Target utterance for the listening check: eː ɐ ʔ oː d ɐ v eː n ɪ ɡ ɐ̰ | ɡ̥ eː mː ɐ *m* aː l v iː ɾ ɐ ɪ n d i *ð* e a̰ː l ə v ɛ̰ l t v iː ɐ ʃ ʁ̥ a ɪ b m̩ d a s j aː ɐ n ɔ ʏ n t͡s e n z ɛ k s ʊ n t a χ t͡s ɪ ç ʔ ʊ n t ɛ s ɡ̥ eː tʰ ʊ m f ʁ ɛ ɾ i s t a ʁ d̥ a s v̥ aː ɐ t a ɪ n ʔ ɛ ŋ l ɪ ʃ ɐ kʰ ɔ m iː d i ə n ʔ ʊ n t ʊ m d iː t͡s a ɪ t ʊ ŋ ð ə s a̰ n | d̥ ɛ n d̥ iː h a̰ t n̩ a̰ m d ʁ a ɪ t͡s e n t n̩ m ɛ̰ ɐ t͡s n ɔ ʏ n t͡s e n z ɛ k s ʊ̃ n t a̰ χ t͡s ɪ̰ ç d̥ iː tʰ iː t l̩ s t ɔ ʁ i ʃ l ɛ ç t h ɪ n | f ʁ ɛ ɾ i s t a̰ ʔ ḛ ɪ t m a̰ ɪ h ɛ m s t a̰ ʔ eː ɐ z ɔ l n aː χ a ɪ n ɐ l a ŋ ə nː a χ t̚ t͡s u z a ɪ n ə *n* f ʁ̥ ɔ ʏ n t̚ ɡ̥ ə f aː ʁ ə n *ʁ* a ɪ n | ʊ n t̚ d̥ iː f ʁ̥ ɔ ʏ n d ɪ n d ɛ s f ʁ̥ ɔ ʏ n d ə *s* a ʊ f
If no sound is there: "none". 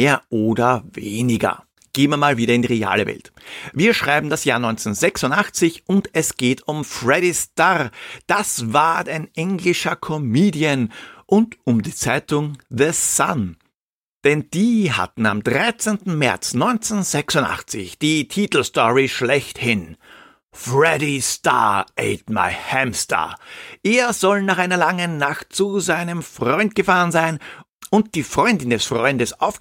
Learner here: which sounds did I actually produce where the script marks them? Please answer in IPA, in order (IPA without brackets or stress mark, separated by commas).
m, ʁ, m, z, s